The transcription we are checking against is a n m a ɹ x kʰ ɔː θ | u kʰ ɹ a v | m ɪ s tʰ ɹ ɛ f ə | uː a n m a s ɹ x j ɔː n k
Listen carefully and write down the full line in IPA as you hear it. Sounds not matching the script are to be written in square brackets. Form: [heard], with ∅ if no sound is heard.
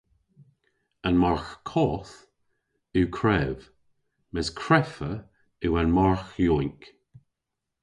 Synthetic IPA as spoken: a n m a ɹ x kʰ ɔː θ | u kʰ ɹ [ɛ] v | m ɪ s [kʰ] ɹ ɛ f ə | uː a n m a [∅] ɹ x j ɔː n k